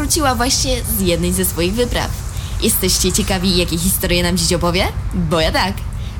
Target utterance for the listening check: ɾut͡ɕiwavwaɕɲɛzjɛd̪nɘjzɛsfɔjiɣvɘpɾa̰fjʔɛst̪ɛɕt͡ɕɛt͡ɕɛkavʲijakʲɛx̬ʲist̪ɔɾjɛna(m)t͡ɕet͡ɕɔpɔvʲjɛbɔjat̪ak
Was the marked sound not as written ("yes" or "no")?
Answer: no